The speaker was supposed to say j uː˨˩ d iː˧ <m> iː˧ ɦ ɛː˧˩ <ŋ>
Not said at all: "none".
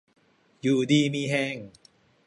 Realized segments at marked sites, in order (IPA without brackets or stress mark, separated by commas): m, ŋ